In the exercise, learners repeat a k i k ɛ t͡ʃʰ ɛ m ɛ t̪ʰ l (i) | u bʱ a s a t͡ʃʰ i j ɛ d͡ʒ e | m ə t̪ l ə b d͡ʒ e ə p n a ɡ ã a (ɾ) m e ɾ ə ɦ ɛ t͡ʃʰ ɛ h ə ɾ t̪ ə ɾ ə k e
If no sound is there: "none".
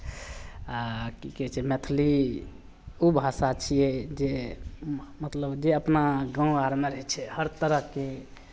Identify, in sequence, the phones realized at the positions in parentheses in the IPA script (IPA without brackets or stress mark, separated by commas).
i, ɾ